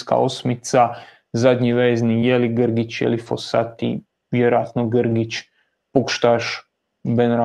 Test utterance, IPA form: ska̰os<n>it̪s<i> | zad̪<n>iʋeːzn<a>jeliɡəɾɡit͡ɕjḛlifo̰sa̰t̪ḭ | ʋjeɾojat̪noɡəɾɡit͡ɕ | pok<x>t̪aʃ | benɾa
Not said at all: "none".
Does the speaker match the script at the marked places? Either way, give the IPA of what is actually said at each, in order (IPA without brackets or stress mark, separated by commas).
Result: m, a, ɲ, i, ʃ